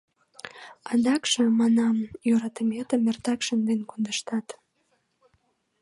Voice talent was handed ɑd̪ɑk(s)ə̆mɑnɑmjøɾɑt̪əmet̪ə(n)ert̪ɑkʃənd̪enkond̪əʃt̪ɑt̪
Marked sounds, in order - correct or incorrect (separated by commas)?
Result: incorrect, incorrect